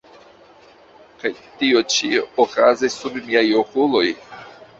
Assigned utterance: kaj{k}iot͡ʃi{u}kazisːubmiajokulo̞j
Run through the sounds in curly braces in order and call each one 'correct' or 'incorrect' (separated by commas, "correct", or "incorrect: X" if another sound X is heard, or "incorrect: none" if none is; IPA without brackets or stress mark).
incorrect: t, incorrect: o